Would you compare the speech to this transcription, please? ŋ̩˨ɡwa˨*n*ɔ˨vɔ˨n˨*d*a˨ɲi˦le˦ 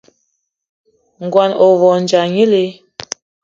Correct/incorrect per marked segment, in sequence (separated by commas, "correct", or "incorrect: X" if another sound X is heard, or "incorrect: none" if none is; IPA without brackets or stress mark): correct, incorrect: d͡ʒ